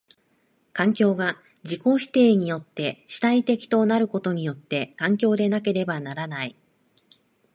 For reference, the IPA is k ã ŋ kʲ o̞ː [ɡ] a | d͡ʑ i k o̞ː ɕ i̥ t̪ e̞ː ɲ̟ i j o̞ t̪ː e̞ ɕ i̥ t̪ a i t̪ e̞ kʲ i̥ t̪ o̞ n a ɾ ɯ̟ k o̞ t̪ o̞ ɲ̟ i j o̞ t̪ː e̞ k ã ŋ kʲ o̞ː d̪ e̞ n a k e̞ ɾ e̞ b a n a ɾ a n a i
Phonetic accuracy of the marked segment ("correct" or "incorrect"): correct